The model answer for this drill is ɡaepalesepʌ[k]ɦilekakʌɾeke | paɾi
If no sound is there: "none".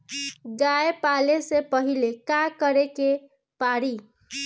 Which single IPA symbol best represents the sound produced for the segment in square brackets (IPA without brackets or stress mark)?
none